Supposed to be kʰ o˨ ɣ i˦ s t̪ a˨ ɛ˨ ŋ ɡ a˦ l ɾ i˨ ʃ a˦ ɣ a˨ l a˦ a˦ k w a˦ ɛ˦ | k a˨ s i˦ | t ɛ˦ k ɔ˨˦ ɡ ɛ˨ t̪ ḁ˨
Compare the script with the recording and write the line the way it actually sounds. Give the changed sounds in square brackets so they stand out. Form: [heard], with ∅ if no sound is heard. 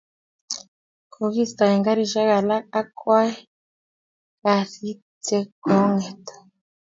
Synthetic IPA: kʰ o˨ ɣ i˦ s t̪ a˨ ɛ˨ ŋ ɡ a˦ [∅] ɾ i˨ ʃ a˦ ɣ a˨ l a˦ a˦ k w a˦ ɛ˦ | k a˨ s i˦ | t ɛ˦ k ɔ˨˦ [ŋ] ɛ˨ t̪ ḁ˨